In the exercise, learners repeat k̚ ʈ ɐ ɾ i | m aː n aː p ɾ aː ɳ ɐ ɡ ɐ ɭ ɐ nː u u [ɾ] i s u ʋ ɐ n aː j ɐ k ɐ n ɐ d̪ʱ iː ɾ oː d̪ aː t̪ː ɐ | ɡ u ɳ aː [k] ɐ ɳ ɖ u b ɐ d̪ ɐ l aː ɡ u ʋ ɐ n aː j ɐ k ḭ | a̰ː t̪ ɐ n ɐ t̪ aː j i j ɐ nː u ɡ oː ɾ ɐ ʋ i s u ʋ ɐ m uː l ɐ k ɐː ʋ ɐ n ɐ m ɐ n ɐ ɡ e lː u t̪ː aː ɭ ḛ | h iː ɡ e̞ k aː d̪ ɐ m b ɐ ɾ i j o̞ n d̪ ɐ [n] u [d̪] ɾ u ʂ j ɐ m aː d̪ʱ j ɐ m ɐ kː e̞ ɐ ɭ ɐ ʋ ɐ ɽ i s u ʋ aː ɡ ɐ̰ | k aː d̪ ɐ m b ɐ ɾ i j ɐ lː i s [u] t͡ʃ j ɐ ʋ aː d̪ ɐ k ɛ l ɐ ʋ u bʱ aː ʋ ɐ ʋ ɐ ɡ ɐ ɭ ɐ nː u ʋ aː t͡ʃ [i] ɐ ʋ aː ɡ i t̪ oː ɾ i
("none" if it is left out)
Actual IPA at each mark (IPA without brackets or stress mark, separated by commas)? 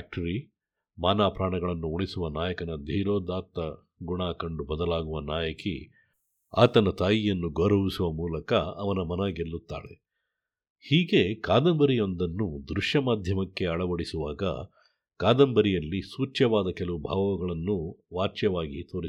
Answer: ɭ, k, nː, d̪, uː, j